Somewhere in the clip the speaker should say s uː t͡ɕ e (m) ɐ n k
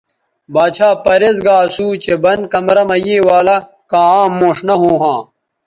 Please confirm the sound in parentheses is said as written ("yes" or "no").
no